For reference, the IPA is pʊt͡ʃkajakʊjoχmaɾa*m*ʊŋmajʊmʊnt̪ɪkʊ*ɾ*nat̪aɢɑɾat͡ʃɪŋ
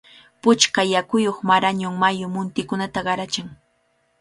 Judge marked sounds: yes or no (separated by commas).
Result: no, no